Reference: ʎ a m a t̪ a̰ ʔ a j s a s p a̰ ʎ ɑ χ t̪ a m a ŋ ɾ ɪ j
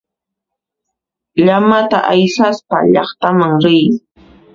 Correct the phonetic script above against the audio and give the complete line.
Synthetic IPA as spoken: ʎ a m a t̪ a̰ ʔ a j s a s p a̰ ʎ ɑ χ t̪ a m a ŋ ɾ ɪ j